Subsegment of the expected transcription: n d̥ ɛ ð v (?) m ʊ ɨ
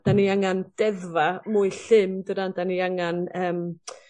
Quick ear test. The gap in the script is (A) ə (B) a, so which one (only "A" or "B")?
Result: B